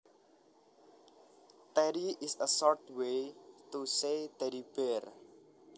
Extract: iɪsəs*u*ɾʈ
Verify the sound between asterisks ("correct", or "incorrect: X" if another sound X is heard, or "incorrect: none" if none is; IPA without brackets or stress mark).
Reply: incorrect: ɔ